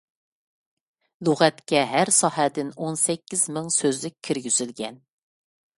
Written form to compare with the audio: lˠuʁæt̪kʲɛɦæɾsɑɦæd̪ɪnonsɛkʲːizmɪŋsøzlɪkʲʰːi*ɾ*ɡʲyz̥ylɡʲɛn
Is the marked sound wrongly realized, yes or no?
no